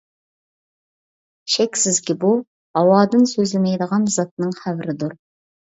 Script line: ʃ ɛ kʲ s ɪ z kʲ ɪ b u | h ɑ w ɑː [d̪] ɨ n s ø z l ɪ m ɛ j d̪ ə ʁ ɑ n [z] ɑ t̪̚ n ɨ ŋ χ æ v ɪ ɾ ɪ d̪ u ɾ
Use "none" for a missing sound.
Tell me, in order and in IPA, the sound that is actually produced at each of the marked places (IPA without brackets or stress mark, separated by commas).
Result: d̪, z